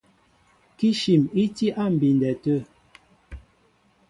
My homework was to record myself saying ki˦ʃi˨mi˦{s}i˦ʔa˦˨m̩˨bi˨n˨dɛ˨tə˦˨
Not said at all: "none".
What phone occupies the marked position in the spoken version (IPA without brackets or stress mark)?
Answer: t